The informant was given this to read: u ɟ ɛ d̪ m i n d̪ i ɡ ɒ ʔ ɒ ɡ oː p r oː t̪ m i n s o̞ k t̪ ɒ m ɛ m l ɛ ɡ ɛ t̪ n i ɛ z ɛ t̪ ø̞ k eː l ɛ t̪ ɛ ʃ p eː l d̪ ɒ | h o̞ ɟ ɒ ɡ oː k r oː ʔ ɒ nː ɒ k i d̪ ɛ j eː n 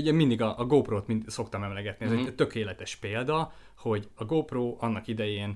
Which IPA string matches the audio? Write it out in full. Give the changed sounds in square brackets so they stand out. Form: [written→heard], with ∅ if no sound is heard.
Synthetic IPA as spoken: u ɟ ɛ [d̪→∅] m i n d̪ i ɡ ɒ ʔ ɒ ɡ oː p r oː t̪ m i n s o̞ k t̪ ɒ m ɛ m l ɛ ɡ ɛ t̪ n i ɛ z ɛ t̪ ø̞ k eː l ɛ t̪ ɛ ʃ p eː l d̪ ɒ | h o̞ ɟ ɒ ɡ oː [k→p] r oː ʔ ɒ nː ɒ k i d̪ ɛ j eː n